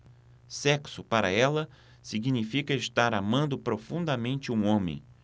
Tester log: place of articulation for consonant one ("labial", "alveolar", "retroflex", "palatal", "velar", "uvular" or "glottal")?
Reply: alveolar